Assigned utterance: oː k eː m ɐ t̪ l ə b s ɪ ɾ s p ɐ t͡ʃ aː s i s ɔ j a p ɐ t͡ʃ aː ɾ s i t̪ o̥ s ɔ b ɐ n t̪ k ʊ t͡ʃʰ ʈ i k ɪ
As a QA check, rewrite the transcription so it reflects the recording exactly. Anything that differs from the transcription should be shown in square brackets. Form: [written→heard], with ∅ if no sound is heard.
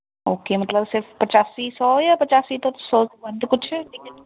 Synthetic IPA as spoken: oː k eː m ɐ t̪ l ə b s ɪ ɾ [s→f] p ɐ t͡ʃ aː s i s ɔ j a p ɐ t͡ʃ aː [ɾ→∅] s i t̪ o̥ s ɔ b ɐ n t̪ k ʊ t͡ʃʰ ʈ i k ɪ